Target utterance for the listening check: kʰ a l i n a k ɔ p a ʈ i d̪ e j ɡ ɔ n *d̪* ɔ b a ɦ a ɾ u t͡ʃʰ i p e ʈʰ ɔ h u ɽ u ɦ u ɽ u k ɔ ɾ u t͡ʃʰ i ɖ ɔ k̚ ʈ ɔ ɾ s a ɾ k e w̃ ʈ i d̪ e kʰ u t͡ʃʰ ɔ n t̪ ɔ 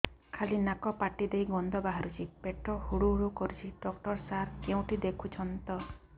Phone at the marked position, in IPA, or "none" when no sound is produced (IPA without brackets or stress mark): d̪